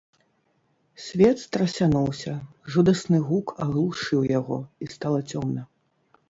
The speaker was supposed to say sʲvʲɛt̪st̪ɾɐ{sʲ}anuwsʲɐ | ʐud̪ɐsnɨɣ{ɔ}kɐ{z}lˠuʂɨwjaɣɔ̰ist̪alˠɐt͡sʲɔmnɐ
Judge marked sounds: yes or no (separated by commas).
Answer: yes, no, no